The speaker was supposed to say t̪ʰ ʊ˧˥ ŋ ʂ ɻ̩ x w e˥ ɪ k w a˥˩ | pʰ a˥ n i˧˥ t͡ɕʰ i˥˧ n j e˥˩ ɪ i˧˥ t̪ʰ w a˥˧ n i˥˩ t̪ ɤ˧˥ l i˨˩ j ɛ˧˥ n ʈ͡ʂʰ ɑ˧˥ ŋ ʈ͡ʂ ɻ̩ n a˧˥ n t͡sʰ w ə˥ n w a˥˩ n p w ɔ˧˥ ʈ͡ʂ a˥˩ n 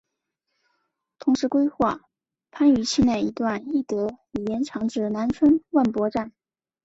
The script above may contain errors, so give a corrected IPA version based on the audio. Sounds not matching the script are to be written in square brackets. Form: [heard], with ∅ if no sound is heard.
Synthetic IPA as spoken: t̪ʰ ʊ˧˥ ŋ ʂ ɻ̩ [k] w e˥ ɪ [x] w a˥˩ | pʰ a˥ n [y˧˥] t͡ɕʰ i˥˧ n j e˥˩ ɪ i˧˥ [t̪] w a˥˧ n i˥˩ t̪ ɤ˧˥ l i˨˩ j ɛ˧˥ n ʈ͡ʂʰ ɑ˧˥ ŋ ʈ͡ʂ ɻ̩ n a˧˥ n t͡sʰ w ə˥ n w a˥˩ n p w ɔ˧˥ ʈ͡ʂ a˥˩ n